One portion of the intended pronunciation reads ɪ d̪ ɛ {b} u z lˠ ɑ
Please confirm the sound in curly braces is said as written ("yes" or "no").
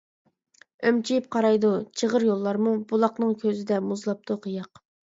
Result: no